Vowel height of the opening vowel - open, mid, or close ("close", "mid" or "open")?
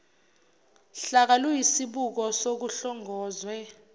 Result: open